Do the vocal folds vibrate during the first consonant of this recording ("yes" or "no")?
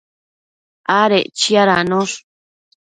yes